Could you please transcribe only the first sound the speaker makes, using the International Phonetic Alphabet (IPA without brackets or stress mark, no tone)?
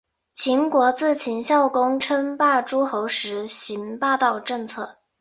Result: t͡ɕʰ